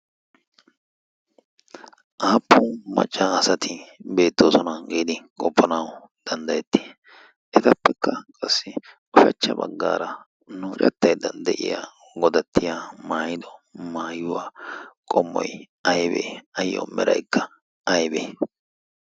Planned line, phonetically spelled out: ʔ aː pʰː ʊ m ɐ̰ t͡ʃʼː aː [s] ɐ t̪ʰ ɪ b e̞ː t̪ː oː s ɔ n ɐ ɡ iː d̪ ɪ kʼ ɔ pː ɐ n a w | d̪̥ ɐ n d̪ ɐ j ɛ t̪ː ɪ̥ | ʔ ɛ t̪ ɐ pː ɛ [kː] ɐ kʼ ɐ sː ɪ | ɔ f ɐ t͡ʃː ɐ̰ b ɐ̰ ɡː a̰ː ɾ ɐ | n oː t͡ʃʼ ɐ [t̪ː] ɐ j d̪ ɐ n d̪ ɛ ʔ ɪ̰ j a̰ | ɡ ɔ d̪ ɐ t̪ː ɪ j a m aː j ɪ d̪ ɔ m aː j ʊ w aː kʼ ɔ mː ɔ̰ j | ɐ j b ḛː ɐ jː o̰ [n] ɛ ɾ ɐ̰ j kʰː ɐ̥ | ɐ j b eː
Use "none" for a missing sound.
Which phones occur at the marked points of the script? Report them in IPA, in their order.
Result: s, kː, t̪ː, m

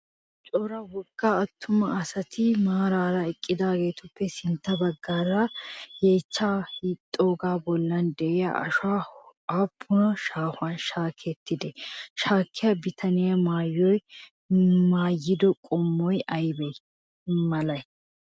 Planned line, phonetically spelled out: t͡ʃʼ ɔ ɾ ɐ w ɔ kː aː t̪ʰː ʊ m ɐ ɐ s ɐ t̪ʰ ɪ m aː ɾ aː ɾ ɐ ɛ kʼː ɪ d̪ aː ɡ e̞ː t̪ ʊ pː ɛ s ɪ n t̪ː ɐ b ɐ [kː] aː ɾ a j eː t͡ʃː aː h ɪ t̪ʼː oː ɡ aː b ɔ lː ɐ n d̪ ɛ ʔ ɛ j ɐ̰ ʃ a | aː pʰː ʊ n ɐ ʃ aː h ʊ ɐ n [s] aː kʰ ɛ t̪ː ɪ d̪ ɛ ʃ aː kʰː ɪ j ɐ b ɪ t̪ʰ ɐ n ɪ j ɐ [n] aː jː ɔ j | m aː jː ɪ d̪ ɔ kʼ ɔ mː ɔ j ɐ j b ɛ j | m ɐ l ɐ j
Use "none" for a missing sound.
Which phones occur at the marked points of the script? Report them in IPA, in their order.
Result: ɡː, ʃ, m

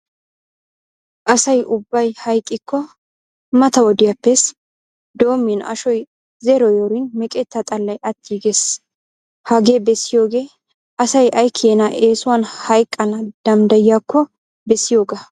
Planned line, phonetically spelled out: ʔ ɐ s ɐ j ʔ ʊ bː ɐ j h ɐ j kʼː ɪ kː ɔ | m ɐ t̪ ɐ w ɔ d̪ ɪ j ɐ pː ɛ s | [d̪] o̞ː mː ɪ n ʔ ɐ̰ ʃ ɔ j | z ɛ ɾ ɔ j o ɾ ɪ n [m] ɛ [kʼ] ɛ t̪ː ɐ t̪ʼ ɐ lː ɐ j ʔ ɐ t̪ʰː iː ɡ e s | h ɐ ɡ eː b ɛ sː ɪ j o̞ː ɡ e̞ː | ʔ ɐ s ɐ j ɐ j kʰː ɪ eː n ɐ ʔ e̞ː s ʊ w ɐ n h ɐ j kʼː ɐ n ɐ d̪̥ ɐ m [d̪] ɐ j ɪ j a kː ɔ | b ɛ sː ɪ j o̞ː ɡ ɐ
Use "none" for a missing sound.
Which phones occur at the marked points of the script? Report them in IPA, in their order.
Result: d̪, m, kʼ, d̪

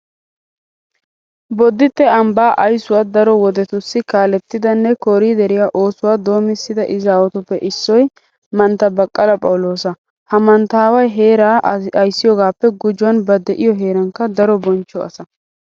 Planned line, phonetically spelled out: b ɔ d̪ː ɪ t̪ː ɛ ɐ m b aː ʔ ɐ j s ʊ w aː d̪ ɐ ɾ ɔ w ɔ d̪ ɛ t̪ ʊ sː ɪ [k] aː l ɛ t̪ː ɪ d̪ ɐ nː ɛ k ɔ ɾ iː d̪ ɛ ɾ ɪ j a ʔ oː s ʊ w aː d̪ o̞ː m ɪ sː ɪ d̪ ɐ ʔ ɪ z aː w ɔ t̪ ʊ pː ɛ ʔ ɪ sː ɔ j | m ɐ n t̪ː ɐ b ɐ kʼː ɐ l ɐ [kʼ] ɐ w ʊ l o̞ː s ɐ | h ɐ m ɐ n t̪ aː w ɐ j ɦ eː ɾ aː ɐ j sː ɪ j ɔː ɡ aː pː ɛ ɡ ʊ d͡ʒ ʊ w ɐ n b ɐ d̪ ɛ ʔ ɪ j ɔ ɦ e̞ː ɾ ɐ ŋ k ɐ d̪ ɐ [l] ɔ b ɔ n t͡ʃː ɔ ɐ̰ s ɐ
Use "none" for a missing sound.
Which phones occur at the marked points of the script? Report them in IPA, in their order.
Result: k, pʼ, ɾ

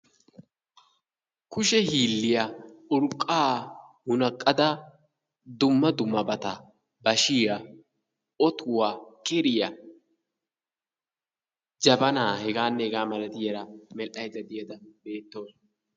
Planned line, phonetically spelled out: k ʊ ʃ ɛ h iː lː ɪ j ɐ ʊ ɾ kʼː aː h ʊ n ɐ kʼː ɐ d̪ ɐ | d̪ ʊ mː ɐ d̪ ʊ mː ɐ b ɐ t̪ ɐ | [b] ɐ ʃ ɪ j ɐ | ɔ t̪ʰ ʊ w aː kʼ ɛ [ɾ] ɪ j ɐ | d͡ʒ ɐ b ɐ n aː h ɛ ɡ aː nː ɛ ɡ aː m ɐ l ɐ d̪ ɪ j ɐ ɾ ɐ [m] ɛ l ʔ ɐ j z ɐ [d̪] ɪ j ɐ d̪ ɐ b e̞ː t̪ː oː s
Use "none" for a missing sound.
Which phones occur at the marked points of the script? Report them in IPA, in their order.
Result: b, ɾ, m, d̪

